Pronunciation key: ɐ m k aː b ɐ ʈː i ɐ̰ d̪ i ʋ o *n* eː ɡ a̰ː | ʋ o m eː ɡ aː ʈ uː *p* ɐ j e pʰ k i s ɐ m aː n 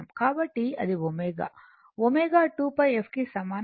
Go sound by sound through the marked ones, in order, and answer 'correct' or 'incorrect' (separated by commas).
incorrect, correct